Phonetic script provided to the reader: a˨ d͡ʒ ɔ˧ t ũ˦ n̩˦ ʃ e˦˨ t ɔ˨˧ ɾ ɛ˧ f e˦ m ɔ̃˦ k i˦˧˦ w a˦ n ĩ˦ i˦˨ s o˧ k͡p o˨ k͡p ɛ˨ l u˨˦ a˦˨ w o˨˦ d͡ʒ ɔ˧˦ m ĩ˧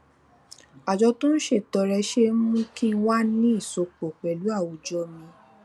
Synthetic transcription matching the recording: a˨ d͡ʒ ɔ˧ t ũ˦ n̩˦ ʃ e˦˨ t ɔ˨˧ ɾ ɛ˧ ʃ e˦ m ũ˦ k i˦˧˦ w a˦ n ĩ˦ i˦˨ s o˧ k͡p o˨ k͡p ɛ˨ l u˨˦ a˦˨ w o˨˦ d͡ʒ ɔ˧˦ m ĩ˧